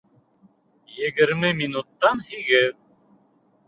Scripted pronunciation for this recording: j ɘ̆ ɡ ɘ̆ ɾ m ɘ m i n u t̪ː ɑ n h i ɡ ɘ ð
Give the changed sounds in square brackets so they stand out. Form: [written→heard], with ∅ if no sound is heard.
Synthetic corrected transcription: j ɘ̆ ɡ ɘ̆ ɾ m ɘ m i n u t̪ː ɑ n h i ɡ ɘ ð